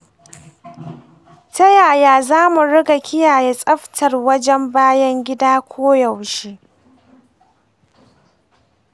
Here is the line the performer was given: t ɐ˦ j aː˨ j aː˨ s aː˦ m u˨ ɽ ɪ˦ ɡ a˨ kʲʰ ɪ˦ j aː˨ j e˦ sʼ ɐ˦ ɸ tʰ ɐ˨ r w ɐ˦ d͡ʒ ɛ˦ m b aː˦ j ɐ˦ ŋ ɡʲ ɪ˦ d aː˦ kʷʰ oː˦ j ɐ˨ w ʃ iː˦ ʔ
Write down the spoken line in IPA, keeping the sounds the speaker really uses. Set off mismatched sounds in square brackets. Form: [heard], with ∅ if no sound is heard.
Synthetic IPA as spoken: t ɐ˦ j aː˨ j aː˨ [z] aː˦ m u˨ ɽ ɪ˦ ɡ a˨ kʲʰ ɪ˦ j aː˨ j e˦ sʼ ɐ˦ ɸ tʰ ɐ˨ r w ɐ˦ d͡ʒ ɛ˦ m b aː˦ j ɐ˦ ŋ ɡʲ ɪ˦ d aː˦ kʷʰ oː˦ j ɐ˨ w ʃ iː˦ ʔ